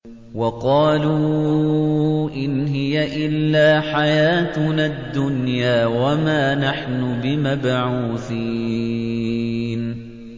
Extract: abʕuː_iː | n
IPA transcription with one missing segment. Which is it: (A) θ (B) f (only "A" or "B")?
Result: A